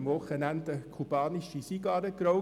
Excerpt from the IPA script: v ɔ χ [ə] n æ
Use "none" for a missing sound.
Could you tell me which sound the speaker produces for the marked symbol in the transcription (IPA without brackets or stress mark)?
ə